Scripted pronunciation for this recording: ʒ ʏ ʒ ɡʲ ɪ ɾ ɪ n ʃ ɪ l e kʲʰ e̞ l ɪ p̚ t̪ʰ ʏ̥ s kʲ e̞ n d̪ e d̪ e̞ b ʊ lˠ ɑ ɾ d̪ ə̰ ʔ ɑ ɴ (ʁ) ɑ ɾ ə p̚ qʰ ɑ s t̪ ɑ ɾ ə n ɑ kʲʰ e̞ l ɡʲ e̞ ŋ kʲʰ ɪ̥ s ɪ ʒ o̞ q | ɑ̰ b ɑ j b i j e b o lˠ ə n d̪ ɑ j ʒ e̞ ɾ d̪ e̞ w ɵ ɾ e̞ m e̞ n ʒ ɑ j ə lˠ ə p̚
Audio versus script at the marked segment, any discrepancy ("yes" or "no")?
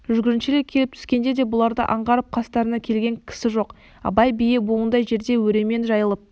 no